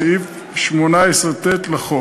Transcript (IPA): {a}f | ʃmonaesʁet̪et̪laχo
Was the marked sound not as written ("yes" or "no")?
yes